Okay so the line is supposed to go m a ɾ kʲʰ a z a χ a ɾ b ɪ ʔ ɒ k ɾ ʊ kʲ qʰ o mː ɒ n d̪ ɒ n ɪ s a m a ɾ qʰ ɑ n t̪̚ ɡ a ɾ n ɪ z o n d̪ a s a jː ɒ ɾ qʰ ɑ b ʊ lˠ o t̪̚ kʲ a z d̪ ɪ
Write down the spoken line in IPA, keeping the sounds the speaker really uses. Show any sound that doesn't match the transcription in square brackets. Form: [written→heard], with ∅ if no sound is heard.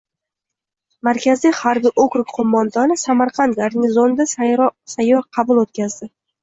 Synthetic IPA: m a ɾ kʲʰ a z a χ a ɾ b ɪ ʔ [ɒ→o] k ɾ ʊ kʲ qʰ o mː ɒ n d̪ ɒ n ɪ s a m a ɾ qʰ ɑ n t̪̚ ɡ a ɾ n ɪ z o n d̪ a s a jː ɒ ɾ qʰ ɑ b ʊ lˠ o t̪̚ kʲ a z d̪ ɪ